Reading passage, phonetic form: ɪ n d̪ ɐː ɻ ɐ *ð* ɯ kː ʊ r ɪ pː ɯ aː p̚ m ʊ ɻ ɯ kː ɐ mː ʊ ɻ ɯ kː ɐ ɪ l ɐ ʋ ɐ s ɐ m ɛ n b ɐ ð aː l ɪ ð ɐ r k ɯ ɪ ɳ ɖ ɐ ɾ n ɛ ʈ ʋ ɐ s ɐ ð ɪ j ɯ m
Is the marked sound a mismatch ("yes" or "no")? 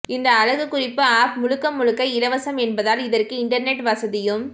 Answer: yes